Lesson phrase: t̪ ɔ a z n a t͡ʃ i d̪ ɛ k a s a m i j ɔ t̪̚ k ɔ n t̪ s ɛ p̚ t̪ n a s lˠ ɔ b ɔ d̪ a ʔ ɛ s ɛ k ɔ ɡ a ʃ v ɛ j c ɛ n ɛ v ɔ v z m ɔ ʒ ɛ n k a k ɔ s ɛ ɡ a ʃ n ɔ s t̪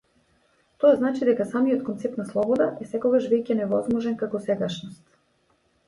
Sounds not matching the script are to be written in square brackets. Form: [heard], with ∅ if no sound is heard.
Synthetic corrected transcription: t̪ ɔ a z n a t͡ʃ i d̪ ɛ k a s a m i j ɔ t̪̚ k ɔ n t̪ s ɛ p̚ t̪ n a s lˠ ɔ b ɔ d̪ a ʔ ɛ s ɛ k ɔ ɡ a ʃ v ɛ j c ɛ n ɛ v ɔ [∅] z m ɔ ʒ ɛ n k a k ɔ s ɛ ɡ a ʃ n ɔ s t̪